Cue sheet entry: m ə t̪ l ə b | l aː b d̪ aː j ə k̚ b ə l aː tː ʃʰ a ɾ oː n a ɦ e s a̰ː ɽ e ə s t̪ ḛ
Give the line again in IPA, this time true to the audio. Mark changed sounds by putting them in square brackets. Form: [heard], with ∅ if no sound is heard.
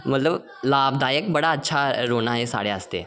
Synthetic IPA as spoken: m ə t̪ l ə b | l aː b d̪ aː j ə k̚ b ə [ɽ] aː tː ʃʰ a ɾ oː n a ɦ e s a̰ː ɽ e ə s t̪ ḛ